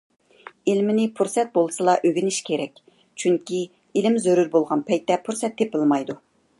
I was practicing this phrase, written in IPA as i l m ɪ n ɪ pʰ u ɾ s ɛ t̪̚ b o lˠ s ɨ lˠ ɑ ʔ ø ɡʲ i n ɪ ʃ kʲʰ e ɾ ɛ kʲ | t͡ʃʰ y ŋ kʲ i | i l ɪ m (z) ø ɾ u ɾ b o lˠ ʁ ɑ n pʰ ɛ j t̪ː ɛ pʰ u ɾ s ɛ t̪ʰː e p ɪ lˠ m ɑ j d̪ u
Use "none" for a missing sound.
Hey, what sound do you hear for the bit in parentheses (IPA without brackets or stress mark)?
z